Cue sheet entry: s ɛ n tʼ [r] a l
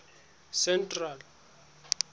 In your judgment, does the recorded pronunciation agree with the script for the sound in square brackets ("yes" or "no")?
yes